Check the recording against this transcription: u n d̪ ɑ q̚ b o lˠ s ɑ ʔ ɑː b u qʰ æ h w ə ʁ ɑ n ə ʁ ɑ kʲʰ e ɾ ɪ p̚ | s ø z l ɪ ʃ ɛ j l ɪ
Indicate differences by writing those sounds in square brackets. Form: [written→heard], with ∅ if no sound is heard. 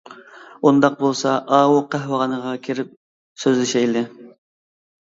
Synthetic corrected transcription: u n d̪ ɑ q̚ b o lˠ s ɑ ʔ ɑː [b→w] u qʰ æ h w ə ʁ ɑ n ə ʁ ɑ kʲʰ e ɾ ɪ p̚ | s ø z l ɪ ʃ ɛ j l ɪ